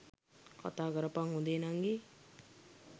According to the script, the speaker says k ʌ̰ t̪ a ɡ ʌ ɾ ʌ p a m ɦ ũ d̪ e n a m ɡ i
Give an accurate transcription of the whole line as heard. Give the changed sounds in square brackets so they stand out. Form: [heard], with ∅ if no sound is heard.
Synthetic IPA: k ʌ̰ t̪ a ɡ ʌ ɾ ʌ p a [ŋ] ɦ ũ d̪ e n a [ŋ] ɡ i